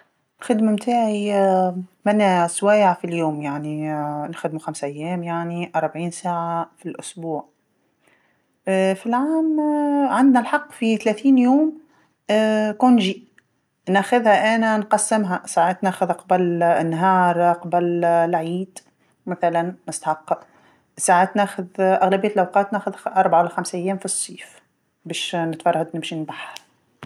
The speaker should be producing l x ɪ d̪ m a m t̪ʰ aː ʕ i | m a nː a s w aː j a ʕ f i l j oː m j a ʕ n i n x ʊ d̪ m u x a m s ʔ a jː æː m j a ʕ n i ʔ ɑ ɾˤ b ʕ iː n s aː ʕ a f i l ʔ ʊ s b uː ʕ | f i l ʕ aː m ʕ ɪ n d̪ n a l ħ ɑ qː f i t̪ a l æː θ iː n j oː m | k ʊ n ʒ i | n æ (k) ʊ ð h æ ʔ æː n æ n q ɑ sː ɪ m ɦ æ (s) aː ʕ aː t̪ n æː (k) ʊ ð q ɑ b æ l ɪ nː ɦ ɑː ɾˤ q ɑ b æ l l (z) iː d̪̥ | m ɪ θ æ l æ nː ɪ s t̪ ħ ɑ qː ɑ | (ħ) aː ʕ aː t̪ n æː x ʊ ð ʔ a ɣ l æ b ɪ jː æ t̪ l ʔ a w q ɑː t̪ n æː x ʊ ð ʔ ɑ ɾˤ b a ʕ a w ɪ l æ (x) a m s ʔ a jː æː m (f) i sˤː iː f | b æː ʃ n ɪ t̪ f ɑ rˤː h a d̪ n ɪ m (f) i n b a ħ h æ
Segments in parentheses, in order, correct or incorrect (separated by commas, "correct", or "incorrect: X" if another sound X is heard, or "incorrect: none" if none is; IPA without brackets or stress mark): incorrect: x, correct, incorrect: x, incorrect: ʕ, incorrect: s, correct, correct, incorrect: ʃ